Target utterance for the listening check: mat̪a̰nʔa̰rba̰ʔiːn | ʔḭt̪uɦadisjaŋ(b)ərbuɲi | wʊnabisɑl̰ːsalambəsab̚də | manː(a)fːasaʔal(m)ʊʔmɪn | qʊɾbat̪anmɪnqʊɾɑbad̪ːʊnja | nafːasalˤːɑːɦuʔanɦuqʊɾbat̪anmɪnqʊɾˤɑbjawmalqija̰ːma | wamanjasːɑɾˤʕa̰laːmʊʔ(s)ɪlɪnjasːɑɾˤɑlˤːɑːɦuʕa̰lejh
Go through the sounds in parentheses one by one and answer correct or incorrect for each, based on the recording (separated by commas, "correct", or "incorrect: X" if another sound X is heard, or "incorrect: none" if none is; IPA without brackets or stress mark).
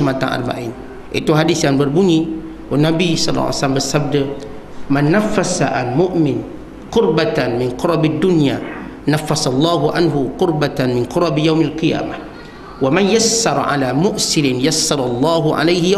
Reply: correct, correct, correct, correct